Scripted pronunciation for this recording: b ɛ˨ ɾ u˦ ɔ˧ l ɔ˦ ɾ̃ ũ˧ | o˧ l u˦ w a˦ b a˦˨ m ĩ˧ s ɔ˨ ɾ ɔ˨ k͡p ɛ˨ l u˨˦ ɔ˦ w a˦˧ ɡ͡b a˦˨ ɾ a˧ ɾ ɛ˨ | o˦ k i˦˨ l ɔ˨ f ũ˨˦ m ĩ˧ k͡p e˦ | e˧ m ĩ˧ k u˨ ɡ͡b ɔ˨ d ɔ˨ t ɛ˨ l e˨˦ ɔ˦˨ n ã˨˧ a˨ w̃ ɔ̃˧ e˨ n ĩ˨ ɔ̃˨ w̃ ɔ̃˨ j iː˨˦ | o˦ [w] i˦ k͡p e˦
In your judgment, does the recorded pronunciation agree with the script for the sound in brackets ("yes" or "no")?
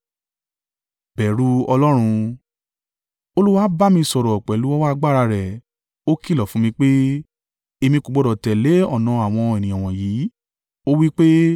yes